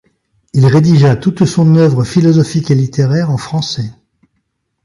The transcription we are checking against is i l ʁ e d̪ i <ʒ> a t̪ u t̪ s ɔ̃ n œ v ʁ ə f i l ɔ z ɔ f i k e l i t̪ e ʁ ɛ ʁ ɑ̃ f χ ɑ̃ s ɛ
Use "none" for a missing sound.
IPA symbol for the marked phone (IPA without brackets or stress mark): ʒ